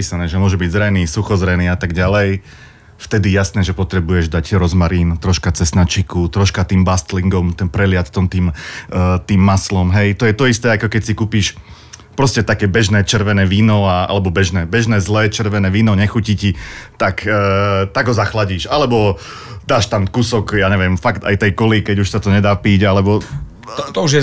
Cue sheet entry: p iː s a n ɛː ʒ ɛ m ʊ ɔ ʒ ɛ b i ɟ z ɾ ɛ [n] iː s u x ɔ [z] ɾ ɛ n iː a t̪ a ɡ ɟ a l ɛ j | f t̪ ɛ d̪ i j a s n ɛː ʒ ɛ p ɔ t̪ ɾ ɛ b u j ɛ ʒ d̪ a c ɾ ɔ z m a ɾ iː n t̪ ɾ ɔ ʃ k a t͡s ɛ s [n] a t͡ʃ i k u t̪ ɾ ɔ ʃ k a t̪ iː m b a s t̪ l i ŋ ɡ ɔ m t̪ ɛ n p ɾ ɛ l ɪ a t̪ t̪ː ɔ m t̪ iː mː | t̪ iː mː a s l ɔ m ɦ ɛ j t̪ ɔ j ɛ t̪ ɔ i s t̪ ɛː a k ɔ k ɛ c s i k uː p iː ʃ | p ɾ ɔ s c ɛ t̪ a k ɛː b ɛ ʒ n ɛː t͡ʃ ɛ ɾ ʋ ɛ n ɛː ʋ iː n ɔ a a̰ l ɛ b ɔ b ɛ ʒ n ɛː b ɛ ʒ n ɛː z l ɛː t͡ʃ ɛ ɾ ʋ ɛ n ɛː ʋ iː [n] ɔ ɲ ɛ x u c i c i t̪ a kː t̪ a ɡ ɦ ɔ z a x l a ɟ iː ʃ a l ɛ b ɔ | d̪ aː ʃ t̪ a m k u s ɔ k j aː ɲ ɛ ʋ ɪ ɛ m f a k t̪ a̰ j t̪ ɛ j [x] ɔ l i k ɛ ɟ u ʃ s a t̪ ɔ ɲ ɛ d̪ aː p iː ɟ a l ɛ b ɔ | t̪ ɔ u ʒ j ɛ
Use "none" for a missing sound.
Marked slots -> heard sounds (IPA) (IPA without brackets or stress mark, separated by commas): n, z, n, n, k